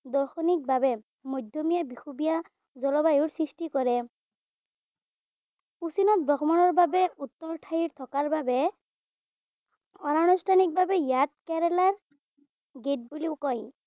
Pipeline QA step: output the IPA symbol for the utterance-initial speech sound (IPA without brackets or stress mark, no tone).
d